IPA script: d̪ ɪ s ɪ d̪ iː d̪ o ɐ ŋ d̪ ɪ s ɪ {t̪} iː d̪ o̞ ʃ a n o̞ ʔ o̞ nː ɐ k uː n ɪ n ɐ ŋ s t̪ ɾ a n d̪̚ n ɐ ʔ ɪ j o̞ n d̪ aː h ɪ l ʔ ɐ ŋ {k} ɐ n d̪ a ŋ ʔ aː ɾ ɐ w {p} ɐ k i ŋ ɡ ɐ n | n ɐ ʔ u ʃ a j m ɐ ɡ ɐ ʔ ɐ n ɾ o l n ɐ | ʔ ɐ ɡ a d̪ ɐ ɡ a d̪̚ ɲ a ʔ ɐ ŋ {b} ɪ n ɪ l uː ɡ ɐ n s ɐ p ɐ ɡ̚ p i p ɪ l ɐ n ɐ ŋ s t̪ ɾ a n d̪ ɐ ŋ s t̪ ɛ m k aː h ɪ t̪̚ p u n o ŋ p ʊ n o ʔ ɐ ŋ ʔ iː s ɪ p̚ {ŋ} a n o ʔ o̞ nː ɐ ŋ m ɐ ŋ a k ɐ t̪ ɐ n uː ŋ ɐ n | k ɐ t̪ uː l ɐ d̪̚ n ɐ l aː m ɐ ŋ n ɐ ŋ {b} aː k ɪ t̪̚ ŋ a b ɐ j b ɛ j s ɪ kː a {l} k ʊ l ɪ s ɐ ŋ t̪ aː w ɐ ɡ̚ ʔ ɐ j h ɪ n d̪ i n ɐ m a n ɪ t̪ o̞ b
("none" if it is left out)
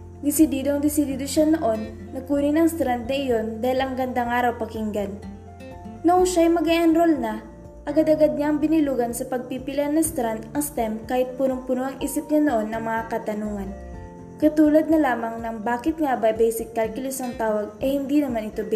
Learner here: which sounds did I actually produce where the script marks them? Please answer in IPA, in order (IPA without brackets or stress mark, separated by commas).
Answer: d̪, ɡ, p, b, ɲ, b, l